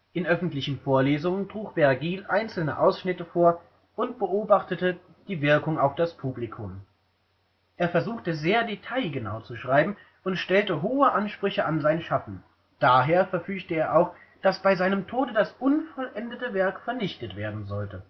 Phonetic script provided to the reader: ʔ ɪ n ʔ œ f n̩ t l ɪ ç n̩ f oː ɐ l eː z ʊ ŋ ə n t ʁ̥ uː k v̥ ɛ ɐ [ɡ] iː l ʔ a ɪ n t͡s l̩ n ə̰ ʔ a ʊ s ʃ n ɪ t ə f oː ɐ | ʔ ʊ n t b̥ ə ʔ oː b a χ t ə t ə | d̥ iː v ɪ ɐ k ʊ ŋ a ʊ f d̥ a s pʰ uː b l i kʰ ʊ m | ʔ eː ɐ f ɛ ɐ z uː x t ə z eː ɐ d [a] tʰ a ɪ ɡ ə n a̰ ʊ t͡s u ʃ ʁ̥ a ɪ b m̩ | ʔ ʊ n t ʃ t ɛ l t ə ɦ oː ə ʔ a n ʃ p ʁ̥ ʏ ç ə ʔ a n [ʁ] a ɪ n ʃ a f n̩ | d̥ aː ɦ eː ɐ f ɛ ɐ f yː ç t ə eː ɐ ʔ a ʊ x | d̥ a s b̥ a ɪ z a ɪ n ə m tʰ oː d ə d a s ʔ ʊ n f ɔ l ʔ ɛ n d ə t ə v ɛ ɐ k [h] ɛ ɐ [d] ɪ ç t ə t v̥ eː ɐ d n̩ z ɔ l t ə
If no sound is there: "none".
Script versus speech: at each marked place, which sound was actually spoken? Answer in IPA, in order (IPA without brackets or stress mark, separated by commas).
ɡ, e, z, f, n